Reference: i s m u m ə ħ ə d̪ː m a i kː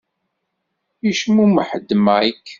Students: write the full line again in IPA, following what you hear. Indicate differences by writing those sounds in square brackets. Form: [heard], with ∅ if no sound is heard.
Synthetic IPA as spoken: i [ʃ] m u m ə ħ ə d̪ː m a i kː

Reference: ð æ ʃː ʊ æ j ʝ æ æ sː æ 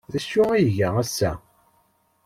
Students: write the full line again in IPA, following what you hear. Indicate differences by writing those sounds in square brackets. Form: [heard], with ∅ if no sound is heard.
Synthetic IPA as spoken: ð æ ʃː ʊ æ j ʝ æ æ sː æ

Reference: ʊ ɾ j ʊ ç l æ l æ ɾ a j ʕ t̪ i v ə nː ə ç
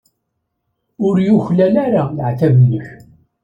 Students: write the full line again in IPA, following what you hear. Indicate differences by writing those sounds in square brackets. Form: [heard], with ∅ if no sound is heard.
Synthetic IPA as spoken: ʊ ɾ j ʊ ç l æ l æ ɾ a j ʕ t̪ [æ] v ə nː ə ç

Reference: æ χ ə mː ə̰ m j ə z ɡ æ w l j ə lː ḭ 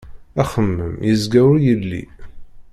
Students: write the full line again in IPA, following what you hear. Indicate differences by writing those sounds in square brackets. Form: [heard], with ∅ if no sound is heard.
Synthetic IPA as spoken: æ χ ə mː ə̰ m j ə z ɡ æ w [ɾ] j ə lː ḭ

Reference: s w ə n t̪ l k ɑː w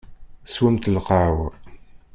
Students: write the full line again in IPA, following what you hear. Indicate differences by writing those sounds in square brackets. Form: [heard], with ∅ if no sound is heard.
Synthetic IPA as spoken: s w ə [m] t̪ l [q] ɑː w

